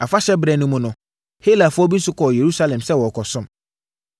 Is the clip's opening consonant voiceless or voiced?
voiceless